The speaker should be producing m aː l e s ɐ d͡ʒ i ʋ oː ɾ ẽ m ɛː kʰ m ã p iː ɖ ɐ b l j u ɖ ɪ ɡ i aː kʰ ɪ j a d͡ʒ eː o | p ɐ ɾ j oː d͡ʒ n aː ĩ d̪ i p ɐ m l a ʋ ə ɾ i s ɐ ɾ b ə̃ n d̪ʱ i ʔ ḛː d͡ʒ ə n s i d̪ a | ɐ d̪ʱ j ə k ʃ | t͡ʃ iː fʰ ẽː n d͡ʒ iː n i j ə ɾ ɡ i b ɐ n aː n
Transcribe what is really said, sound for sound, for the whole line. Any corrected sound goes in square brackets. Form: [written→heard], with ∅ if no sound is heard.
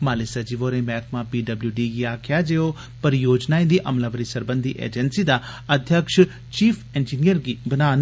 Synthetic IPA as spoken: m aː l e s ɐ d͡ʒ i ʋ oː ɾ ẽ m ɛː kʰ m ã p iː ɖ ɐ b l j u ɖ [ɪ→i] ɡ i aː kʰ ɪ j a d͡ʒ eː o | p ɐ ɾ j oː d͡ʒ n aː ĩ d̪ i [p→ʔ] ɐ m l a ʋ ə ɾ i s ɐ ɾ b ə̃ n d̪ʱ i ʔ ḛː d͡ʒ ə n s i d̪ a | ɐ d̪ʱ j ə k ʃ | t͡ʃ iː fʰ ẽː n d͡ʒ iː n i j ə ɾ ɡ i b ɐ n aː n